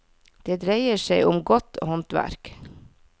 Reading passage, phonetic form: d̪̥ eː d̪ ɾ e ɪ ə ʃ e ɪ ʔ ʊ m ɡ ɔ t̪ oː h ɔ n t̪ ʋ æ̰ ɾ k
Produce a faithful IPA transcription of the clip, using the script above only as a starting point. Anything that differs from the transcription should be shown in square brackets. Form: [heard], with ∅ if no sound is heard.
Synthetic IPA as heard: d̪̥ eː d̪ ɾ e ɪ ə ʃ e ɪ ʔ ʊ m ɡ ɔ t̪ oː h ɔ n t̪ ʋ æ̰ ɾ k